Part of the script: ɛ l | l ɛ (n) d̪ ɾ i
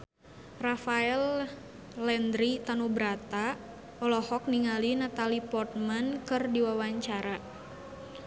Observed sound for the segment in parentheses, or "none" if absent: n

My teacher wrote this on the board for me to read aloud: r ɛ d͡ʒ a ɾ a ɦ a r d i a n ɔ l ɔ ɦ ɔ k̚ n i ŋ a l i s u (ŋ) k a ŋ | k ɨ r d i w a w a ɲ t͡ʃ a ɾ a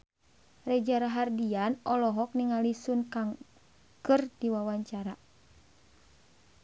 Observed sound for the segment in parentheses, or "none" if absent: n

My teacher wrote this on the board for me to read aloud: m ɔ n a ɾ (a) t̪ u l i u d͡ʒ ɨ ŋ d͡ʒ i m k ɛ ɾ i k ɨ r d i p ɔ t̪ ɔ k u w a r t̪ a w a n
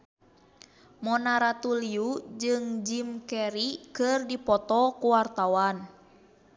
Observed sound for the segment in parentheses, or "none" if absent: a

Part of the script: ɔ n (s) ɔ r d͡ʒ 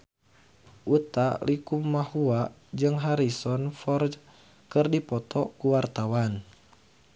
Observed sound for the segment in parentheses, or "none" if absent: f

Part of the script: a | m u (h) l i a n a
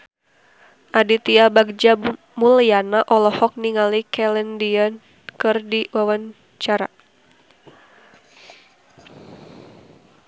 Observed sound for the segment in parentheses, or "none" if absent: none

